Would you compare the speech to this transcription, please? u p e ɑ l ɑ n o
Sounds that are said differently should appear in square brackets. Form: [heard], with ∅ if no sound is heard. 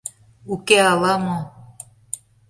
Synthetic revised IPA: u [k] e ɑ l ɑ [m] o